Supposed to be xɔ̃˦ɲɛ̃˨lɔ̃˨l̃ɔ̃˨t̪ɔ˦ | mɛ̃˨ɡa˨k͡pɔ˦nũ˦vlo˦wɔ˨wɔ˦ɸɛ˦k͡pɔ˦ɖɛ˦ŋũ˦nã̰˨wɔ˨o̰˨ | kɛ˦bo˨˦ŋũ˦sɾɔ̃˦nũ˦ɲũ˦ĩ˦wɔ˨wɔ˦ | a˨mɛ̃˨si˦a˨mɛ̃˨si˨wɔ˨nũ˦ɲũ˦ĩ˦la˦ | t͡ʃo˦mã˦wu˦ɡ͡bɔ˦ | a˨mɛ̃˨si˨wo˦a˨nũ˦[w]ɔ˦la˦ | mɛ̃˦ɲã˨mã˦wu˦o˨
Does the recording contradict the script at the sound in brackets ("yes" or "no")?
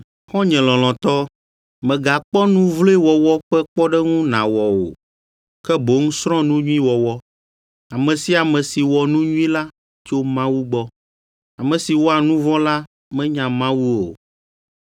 yes